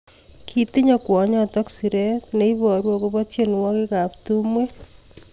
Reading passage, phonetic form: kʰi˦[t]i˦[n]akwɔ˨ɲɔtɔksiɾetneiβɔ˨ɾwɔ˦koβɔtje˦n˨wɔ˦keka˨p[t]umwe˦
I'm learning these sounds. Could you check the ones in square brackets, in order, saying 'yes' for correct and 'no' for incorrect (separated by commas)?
yes, no, yes